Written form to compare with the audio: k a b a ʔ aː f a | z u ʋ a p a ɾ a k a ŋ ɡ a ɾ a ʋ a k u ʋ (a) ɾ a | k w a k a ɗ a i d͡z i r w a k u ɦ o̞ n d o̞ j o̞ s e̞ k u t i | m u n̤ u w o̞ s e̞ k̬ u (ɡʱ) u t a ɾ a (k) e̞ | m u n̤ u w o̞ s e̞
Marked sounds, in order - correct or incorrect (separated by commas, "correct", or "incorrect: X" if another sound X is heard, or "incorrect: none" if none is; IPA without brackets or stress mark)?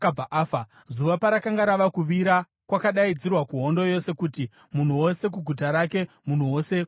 incorrect: i, correct, correct